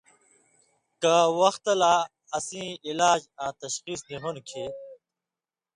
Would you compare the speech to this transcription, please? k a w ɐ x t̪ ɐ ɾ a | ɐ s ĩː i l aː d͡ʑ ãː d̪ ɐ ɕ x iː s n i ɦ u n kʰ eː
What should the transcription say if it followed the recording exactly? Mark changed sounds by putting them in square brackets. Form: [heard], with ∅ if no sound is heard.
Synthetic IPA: k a w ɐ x t̪ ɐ [l] a | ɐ s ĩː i l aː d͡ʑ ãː [t̪] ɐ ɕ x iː s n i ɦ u n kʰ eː